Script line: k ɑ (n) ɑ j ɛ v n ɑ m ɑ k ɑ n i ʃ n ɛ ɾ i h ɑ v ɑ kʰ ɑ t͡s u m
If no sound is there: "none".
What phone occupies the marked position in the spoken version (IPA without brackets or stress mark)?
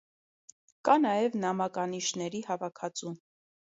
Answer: n